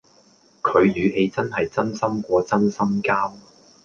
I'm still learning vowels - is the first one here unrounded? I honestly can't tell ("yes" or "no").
no